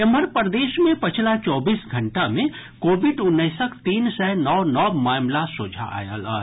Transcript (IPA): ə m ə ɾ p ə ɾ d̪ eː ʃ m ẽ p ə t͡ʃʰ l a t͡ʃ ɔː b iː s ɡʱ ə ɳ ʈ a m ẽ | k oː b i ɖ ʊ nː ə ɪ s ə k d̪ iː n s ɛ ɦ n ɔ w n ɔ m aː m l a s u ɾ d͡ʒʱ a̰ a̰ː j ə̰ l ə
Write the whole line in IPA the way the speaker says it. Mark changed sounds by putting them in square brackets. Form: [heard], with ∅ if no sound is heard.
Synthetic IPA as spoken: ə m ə ɾ p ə ɾ d̪ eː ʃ m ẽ p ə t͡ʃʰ l a t͡ʃ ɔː b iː s ɡʱ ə ɳ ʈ a m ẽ | k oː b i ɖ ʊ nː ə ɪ s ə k [t̪] iː n s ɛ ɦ n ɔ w n ɔ m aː m l a s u [∅] d͡ʒʱ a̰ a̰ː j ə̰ l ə